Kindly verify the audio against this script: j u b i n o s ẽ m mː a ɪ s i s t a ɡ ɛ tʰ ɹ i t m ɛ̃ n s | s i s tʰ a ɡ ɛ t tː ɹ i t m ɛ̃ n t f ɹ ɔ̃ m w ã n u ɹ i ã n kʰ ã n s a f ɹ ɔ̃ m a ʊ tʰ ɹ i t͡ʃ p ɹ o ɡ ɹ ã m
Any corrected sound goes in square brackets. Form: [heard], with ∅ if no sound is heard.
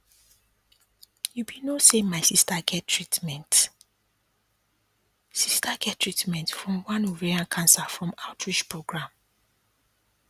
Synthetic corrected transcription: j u b i n o s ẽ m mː a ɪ s i s t a ɡ ɛ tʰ ɹ i t m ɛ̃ n [t] | s i s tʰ a ɡ ɛ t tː ɹ i t m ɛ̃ n t f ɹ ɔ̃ m w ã n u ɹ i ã n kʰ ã n s a f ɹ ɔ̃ m a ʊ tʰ ɹ i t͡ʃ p ɹ o ɡ ɹ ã m